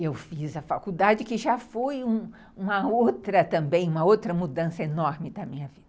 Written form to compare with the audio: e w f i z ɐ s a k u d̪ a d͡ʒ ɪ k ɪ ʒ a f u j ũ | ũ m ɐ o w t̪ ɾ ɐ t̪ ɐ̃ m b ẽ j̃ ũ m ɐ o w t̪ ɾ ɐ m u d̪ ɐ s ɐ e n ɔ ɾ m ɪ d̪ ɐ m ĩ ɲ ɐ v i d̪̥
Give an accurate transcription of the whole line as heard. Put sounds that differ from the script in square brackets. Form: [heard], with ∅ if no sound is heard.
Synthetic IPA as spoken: e w f i z ɐ [f] a k u d̪ a d͡ʒ ɪ k ɪ ʒ a f [o] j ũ | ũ m ɐ o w t̪ ɾ ɐ t̪ ɐ̃ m b ẽ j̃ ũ m ɐ o w t̪ ɾ ɐ m u d̪ [ɐ̃] s ɐ e n ɔ ɾ m ɪ d̪ ɐ m ĩ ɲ ɐ v i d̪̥